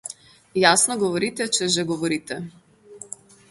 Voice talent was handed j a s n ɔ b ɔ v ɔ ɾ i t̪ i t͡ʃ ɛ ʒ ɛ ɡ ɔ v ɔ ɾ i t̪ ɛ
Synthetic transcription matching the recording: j a s n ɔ ɡ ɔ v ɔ ɾ i t̪ ɛ t͡ʃ ɛ ʒ ɛ ɡ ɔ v ɔ ɾ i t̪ ɛ